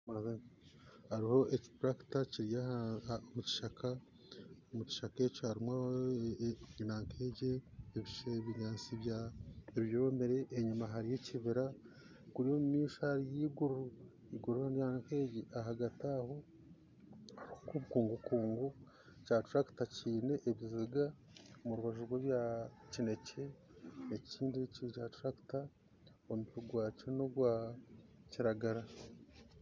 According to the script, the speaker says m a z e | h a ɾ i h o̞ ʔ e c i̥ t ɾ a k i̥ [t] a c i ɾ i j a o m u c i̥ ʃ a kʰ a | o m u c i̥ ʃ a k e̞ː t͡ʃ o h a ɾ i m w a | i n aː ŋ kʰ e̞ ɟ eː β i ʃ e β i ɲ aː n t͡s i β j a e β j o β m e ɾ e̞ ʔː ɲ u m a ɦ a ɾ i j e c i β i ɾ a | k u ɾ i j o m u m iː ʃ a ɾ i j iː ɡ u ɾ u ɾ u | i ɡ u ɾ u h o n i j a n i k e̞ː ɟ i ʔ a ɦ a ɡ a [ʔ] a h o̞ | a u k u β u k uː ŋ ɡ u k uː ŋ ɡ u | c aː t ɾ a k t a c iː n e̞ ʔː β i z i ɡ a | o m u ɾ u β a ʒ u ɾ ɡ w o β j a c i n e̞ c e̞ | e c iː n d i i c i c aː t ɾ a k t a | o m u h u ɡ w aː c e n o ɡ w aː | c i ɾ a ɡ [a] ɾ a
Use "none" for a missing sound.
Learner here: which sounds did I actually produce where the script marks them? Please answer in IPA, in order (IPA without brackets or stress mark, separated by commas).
t, t, a